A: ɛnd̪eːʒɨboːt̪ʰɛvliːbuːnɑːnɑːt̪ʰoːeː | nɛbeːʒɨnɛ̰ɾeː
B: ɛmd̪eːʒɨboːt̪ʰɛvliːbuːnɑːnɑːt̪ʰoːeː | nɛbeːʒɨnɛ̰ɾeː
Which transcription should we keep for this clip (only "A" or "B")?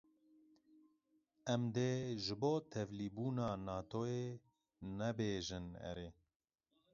B